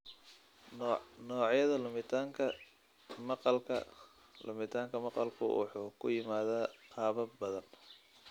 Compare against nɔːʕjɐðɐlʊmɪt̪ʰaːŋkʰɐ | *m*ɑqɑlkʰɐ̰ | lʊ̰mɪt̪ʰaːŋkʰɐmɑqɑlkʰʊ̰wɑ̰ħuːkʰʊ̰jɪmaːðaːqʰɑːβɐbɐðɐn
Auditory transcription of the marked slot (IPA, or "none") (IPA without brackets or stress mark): m